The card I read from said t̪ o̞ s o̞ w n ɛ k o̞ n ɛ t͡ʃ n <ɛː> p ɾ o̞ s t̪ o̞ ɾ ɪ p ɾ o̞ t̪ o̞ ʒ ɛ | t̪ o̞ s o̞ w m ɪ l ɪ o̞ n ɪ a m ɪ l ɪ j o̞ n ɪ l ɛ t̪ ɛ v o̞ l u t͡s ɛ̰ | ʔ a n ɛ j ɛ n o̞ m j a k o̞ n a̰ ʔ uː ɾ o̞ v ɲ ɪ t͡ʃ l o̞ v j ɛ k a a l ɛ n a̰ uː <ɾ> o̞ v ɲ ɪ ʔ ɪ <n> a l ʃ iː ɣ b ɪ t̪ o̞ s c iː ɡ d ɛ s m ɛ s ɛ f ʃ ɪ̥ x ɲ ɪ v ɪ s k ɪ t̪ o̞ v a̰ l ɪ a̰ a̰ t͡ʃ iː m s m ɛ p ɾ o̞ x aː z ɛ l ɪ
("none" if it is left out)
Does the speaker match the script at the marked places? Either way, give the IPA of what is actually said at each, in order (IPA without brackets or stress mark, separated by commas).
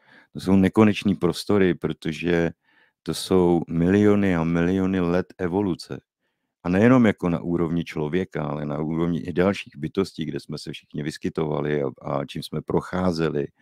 iː, ɾ, d